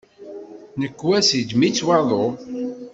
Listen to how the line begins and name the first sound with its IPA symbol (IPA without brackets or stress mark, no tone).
n